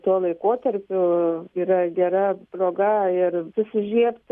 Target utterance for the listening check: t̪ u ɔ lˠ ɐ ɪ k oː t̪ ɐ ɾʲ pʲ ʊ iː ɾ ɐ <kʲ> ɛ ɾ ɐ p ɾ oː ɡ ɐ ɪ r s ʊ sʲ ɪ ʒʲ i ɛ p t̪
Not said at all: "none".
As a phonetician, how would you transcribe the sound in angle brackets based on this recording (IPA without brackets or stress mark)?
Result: ɡʲ